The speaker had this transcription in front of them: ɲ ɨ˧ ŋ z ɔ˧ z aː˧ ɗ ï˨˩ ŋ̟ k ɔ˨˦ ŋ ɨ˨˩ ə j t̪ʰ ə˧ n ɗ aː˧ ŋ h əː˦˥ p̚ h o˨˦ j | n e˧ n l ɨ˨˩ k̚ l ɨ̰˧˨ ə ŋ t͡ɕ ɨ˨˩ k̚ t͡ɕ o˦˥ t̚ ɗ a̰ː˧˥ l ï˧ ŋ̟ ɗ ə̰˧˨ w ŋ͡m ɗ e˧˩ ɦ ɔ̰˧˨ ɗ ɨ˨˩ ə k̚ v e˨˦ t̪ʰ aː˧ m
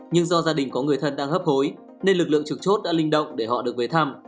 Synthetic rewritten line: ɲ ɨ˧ ŋ z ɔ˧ z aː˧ ɗ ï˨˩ ŋ̟ k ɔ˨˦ ŋ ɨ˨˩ ə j t̪ʰ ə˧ n ɗ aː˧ ŋ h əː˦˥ p̚ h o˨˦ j | n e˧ n l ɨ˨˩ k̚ l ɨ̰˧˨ ə ŋ t͡ɕ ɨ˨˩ k̚ t͡ɕ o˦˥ t̚ ɗ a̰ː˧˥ l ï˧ ŋ̟ ɗ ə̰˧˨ w ŋ͡m ɗ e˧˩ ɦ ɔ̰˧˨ ɗ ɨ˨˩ ə k̚ v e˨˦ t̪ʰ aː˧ m